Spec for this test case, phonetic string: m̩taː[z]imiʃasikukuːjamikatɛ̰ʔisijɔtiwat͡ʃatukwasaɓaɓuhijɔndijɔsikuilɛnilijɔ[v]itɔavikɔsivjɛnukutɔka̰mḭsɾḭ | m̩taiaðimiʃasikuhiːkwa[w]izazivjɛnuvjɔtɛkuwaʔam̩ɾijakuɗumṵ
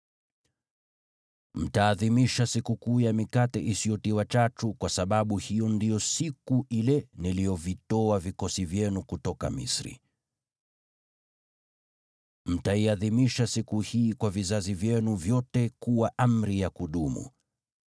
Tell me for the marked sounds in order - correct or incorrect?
incorrect, correct, incorrect

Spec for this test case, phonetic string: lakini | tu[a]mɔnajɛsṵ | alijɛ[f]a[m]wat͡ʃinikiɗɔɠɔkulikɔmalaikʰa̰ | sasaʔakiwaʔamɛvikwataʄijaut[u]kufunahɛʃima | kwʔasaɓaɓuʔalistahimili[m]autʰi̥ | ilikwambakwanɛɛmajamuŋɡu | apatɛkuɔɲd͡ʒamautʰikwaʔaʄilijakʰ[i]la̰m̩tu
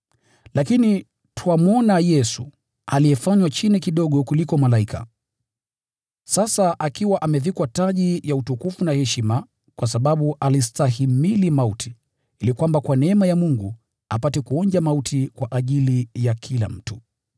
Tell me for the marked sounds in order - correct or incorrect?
correct, correct, incorrect, correct, correct, correct

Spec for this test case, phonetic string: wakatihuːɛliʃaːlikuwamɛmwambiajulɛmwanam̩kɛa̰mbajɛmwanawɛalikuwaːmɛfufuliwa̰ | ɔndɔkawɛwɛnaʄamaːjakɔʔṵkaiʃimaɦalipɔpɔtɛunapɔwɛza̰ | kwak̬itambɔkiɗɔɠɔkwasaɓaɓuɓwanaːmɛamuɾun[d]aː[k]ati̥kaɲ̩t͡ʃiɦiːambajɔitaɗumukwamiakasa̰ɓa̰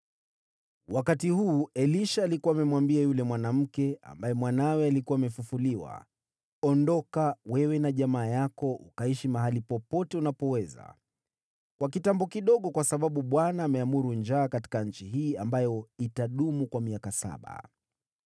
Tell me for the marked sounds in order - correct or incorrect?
incorrect, correct

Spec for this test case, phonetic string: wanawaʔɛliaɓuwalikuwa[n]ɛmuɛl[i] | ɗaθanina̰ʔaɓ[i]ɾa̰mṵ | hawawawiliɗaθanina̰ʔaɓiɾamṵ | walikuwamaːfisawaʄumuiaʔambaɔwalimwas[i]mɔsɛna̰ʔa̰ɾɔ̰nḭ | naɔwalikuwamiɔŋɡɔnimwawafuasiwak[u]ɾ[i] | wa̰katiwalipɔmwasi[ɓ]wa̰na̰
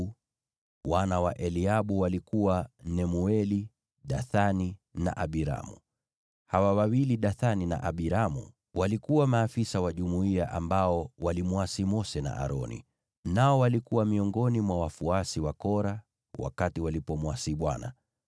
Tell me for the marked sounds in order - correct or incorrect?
correct, correct, correct, correct, incorrect, incorrect, correct

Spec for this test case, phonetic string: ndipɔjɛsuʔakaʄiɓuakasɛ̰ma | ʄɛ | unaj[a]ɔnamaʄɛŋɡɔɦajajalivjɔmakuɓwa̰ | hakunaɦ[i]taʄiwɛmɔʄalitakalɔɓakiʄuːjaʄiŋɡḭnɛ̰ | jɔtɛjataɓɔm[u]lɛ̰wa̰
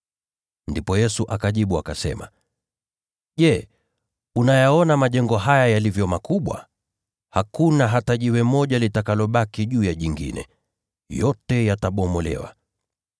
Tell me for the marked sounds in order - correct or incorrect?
correct, incorrect, incorrect

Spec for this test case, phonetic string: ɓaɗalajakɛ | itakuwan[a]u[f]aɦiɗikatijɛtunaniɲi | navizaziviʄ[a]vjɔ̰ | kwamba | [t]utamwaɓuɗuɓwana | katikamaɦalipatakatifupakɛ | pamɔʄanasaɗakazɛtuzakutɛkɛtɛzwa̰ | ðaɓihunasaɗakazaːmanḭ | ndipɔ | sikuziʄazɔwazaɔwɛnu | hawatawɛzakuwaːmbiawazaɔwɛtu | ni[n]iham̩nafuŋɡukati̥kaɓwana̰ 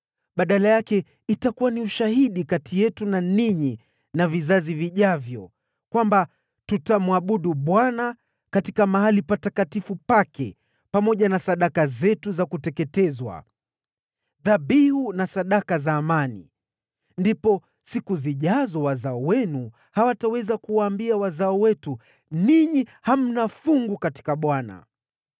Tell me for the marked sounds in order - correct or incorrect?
incorrect, incorrect, correct, correct, incorrect

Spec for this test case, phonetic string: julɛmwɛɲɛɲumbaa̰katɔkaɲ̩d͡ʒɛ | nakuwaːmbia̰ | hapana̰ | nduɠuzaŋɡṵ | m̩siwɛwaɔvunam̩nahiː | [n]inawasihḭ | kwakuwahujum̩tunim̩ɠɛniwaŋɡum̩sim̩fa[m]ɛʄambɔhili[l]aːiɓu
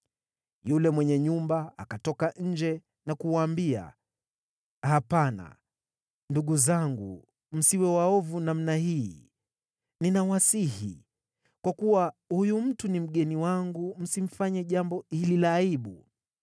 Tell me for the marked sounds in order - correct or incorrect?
correct, incorrect, correct

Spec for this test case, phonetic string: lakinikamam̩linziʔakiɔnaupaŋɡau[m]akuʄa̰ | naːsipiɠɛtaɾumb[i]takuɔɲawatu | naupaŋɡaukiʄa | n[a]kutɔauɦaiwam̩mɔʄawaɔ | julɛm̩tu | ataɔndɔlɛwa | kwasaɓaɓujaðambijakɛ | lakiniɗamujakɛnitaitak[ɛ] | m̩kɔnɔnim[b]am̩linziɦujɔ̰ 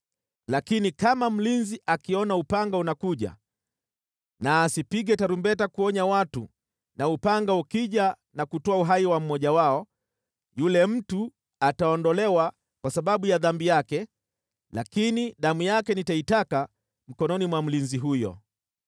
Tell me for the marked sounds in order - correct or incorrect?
incorrect, incorrect, correct, incorrect, incorrect

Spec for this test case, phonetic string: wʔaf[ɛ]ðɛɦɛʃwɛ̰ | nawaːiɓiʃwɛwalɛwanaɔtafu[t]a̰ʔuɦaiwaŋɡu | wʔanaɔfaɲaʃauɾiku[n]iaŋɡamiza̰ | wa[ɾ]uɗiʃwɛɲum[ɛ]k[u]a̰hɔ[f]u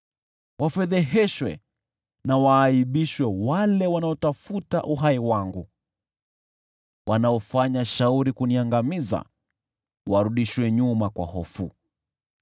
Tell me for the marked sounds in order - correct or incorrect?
correct, correct, correct, correct, incorrect, incorrect, correct

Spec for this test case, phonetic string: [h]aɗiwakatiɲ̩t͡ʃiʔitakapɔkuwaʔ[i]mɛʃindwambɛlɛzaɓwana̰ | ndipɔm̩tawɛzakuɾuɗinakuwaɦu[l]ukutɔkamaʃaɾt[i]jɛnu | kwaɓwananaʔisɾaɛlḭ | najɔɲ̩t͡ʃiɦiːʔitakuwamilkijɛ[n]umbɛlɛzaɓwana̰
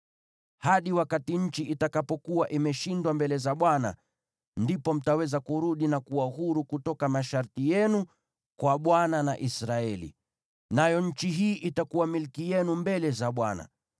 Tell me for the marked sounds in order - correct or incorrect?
correct, correct, incorrect, correct, correct

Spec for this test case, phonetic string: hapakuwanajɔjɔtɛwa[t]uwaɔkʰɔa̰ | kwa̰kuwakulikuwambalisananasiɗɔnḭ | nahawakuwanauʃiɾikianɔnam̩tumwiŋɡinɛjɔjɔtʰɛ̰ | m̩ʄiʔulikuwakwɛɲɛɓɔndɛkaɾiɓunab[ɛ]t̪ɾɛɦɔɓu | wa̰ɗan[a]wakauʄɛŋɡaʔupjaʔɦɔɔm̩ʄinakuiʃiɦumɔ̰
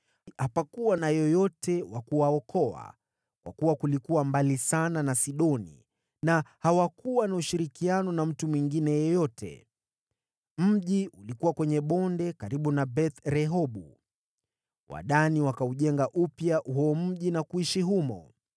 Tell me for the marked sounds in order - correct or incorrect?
incorrect, correct, incorrect

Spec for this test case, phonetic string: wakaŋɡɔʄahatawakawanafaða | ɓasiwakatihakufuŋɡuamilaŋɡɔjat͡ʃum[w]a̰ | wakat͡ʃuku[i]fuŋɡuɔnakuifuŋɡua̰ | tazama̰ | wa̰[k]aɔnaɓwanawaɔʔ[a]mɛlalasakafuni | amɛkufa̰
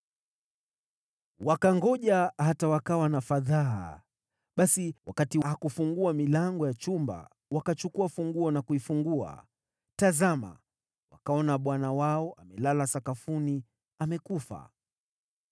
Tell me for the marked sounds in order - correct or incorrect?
incorrect, incorrect, correct, correct

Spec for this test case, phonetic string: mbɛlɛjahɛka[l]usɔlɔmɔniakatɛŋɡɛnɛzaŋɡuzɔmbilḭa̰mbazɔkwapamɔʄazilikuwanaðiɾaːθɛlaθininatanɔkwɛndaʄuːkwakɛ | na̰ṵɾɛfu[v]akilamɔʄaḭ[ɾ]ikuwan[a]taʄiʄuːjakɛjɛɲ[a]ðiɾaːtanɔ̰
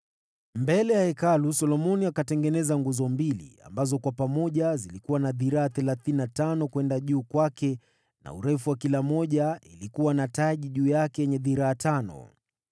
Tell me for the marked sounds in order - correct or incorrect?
correct, incorrect, incorrect, correct, incorrect

